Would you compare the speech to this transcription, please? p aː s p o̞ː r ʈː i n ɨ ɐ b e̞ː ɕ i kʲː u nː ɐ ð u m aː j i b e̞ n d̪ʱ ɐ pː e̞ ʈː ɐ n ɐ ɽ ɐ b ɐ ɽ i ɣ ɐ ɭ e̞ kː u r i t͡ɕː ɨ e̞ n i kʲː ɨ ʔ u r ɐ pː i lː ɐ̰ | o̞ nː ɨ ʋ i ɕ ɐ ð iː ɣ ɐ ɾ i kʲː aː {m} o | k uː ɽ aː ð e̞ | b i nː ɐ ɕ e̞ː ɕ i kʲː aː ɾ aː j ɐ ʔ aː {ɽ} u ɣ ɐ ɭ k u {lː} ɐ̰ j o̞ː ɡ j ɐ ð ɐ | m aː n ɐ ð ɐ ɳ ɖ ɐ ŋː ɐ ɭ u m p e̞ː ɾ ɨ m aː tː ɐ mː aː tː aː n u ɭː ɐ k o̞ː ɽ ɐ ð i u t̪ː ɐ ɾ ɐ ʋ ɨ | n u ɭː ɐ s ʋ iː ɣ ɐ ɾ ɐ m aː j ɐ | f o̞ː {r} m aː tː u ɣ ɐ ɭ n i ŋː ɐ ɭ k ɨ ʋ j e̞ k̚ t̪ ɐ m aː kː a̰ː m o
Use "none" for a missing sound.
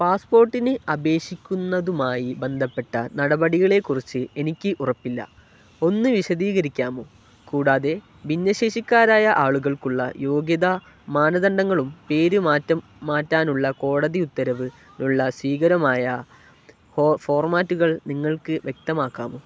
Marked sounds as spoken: m, ɭ, ɭː, r

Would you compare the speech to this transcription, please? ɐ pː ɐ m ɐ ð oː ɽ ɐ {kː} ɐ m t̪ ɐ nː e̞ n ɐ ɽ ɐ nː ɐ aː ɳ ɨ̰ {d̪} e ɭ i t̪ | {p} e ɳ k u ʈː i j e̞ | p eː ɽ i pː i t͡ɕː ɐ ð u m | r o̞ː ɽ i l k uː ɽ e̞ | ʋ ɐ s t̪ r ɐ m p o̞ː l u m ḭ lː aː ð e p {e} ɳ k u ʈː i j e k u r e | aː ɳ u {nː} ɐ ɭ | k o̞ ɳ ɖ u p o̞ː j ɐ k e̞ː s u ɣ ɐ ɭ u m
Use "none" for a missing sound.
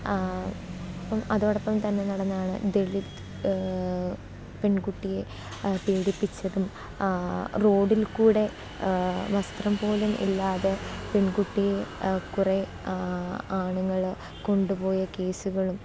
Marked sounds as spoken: pː, d̪, p, e, ŋː

